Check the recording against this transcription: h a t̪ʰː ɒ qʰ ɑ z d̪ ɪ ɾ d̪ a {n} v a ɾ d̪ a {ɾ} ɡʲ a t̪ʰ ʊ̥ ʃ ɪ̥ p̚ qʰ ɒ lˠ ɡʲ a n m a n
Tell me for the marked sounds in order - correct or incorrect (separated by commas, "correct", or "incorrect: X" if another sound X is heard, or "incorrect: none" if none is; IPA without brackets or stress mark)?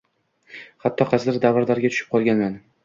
incorrect: none, correct